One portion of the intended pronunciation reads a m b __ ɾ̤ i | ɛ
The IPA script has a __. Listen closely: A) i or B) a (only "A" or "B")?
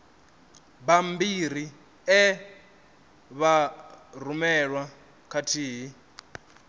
A